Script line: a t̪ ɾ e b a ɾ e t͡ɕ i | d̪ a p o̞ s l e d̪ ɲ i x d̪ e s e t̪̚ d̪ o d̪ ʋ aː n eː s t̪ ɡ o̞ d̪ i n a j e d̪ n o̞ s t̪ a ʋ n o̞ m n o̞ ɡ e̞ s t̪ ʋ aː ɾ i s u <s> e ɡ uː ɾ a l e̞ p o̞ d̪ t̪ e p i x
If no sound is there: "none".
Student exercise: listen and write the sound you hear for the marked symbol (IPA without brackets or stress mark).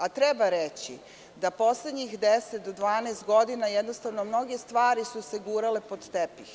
s